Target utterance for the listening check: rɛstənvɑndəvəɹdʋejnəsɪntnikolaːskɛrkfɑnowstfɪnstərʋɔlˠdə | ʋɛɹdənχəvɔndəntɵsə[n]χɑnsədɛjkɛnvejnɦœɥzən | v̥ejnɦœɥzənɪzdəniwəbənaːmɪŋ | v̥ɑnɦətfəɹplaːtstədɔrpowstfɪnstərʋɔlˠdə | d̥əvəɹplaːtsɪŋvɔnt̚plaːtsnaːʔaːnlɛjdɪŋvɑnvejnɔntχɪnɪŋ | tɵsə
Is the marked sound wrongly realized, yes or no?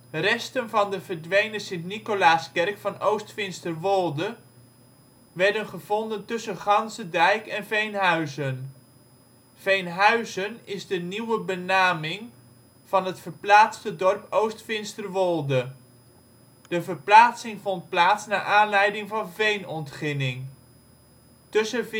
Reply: no